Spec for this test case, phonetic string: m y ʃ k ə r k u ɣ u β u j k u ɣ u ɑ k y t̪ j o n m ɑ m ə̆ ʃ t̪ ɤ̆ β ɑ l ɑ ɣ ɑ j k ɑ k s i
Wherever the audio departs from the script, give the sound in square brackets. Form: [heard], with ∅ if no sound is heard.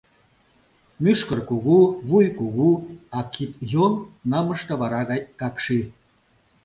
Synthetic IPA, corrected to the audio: m y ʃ k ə r k u ɣ u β u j k u ɣ u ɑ k [i] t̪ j o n [n] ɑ m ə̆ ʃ t̪ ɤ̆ β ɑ [ɾ] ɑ ɣ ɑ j k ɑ k [ʃ] i